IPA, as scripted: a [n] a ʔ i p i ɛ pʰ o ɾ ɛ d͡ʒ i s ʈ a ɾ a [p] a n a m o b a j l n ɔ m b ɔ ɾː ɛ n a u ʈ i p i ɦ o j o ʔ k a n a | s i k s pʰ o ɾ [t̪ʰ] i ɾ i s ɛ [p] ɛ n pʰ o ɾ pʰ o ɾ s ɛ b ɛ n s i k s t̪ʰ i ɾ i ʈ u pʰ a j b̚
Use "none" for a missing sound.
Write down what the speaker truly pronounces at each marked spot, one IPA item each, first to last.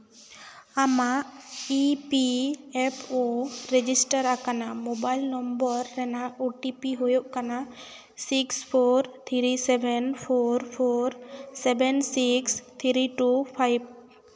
m, k, t̪ʰ, b

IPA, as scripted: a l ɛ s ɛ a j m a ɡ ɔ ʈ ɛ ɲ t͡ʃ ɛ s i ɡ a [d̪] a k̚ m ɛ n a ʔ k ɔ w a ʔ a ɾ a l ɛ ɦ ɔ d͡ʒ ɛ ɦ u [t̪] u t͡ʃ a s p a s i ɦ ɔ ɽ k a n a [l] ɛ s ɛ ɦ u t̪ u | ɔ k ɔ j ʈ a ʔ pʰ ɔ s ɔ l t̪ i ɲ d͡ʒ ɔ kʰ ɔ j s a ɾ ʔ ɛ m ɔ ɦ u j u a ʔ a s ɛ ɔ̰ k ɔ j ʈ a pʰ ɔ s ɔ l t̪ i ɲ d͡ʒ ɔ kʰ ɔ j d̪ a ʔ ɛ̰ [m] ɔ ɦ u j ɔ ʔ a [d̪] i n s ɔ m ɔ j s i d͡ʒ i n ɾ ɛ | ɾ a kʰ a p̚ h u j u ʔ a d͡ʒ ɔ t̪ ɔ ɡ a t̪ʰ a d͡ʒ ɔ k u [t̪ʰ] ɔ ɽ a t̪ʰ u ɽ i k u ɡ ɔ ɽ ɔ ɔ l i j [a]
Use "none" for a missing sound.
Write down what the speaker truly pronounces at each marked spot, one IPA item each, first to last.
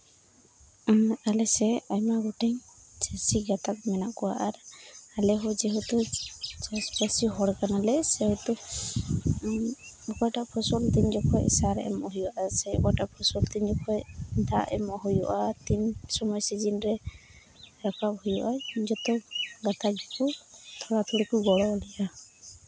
t̪, t̪, l, m, t̪, t̪ʰ, a

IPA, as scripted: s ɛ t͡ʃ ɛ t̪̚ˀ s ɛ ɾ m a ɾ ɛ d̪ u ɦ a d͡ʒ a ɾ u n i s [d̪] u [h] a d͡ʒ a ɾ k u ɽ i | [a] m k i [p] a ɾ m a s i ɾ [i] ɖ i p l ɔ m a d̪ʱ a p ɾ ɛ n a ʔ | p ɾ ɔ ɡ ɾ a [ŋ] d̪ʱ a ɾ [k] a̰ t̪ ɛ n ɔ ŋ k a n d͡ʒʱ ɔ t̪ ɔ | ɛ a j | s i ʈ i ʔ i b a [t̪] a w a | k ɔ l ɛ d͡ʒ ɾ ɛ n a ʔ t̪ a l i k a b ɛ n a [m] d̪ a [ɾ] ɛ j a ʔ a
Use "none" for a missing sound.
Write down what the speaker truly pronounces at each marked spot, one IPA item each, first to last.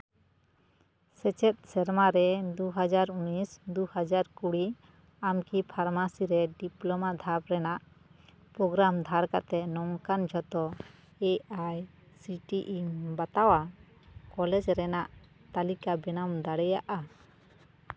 d̪, h, a, pʰ, ɛ, m, k, t̪, m, ɽ

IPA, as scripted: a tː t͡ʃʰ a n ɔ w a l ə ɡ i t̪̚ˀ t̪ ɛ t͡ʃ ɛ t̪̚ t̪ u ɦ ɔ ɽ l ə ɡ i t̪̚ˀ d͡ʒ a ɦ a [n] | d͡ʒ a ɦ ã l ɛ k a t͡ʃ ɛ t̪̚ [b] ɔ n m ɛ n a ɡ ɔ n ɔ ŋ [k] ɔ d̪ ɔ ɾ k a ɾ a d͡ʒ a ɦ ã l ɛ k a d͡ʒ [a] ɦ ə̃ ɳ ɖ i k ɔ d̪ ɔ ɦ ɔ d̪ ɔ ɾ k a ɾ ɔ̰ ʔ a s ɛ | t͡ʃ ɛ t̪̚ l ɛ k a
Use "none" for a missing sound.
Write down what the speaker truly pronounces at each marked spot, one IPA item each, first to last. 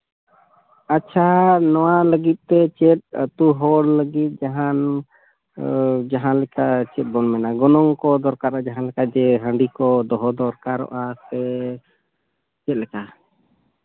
n, b, k, ɛ

